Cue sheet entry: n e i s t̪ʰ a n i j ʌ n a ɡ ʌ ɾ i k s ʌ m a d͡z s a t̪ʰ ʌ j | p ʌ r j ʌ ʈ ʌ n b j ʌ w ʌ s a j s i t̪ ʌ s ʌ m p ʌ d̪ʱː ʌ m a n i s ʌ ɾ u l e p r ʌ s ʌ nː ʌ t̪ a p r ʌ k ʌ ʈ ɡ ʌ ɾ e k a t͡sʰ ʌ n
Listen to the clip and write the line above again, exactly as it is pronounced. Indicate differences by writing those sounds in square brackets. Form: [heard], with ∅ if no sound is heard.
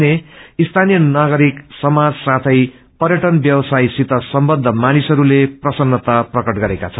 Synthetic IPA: n e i s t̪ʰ a n i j ʌ n a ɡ ʌ ɾ i k s ʌ m a d͡z s a t̪ʰ ʌ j | p ʌ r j ʌ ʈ ʌ n b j ʌ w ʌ s a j s i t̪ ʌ s ʌ m [b] ʌ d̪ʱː ʌ m a n i s ʌ ɾ u l e p r ʌ s ʌ nː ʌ t̪ a p r ʌ k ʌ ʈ ɡ ʌ ɾ e k a t͡sʰ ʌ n